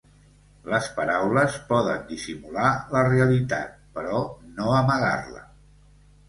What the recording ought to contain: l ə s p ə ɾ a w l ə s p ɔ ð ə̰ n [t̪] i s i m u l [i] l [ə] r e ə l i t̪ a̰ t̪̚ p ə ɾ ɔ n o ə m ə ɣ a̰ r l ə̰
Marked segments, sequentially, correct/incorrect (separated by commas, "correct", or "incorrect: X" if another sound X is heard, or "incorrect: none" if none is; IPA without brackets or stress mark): incorrect: d̪, incorrect: a, correct